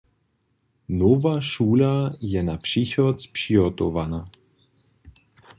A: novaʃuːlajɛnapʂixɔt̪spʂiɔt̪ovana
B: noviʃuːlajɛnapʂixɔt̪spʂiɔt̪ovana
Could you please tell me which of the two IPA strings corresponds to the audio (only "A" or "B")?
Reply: A